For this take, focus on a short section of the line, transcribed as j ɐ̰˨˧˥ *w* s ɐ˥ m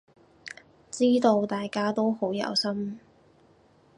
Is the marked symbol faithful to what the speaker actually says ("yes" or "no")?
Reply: yes